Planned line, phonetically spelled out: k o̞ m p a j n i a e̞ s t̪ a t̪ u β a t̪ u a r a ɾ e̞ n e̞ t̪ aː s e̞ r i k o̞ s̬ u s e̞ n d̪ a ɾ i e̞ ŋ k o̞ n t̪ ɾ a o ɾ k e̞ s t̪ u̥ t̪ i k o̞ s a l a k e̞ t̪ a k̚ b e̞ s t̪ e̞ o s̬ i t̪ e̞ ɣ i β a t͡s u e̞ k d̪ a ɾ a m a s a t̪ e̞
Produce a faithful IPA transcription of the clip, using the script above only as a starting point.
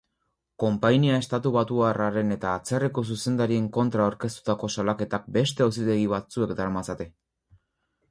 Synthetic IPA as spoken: k o̞ m p a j n i a e̞ s t̪ a t̪ u β a t̪ u a r a ɾ e̞ n e̞ t̪ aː t͡s e̞ r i k o̞ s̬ u s e̞ n d̪ a ɾ i e̞ ŋ k o̞ n t̪ ɾ a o ɾ k e̞ s t̪ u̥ t̪ a k o̞ s a l a k e̞ t̪ a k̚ b e̞ s t̪ e̞ o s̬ i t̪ e̞ ɣ i β a t͡s u e̞ k d̪ a ɾ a m a s a t̪ e̞